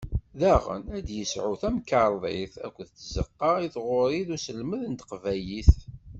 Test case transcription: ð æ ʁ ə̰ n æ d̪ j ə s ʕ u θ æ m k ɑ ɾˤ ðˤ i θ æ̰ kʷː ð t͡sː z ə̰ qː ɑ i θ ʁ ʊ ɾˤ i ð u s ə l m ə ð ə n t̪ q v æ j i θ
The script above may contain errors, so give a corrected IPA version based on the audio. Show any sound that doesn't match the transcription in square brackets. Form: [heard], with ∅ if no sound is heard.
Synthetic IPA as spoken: ð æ ʁ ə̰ n æ d̪ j ə s ʕ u θ æ m k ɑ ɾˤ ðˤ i θ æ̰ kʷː ð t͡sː z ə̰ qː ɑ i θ ʁ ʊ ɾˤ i ð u s ə l m ə ð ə n t̪ q v æ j i θ